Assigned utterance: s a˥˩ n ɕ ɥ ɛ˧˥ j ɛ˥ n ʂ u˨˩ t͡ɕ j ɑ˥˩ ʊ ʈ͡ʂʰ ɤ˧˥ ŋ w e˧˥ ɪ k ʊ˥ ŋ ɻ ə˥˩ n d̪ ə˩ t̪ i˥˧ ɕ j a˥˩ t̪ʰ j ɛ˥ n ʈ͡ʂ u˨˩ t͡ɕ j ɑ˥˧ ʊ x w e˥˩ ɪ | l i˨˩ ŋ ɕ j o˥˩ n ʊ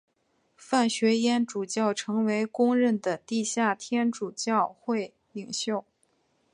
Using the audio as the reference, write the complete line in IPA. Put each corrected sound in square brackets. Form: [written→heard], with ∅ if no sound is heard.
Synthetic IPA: [s→f] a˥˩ n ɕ ɥ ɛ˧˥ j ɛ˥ n [ʂ→ʈ͡ʂ] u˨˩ t͡ɕ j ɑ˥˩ ʊ ʈ͡ʂʰ ɤ˧˥ ŋ w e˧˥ ɪ k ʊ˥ ŋ ɻ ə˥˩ n d̪ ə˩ t̪ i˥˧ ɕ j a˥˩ t̪ʰ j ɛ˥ n ʈ͡ʂ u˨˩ t͡ɕ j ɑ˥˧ ʊ x w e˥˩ ɪ | l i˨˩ ŋ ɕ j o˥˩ [n→∅] ʊ